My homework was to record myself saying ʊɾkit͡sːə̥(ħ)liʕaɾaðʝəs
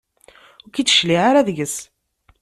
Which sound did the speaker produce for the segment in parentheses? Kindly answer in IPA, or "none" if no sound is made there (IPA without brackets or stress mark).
ʃ